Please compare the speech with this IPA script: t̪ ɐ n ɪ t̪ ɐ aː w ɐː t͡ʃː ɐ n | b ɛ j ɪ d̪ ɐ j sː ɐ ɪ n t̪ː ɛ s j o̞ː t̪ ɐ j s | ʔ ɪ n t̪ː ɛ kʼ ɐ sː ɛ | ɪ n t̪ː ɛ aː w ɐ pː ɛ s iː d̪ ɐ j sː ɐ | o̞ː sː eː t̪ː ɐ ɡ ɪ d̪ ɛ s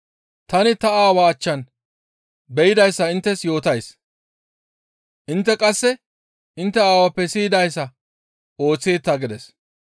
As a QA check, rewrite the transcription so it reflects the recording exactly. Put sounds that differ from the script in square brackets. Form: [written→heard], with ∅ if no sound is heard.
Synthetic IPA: t̪ ɐ n ɪ t̪ ɐ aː w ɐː t͡ʃː ɐ n | b ɛ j ɪ d̪ ɐ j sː ɐ ɪ n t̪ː ɛ s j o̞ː t̪ ɐ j s | ʔ ɪ n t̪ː ɛ kʼ ɐ sː ɛ | ɪ n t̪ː ɛ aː w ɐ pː ɛ s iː d̪ ɐ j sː ɐ | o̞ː [sː→t͡sː] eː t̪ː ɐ ɡ ɪ d̪ ɛ s